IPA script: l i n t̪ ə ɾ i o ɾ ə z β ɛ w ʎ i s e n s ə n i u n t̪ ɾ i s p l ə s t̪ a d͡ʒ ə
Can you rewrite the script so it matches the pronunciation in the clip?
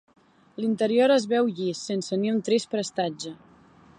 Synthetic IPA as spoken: l i n t̪ ə ɾ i o ɾ ə z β ɛ w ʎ i s e n s ə n i u n t̪ ɾ i s p ɾ ə s t̪ a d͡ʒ ə